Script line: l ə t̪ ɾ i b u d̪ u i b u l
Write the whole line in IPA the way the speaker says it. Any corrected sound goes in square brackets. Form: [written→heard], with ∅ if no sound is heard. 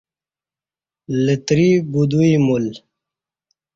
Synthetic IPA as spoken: l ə t̪ ɾ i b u d̪ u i [b→m] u l